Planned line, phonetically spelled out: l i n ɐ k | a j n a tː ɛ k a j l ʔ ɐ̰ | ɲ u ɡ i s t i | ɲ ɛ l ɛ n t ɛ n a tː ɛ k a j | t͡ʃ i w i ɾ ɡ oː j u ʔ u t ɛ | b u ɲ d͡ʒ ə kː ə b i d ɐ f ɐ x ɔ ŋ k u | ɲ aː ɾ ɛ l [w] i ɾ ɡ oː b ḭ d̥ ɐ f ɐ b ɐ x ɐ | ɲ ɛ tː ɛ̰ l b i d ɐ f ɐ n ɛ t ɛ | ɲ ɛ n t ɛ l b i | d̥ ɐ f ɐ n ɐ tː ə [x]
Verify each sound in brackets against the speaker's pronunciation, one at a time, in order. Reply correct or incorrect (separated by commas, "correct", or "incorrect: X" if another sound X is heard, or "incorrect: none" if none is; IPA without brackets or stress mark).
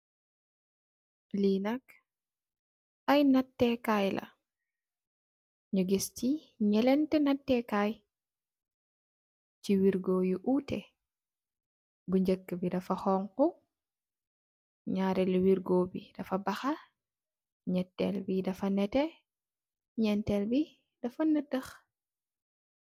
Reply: correct, correct